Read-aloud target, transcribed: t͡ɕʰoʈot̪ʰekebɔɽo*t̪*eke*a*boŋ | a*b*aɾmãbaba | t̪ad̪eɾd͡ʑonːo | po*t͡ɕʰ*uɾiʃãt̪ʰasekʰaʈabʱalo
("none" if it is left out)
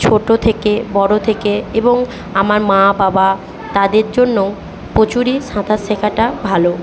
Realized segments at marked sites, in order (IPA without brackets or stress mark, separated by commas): t̪ʰ, e, m, t͡ɕ